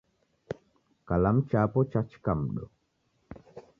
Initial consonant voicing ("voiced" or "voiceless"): voiceless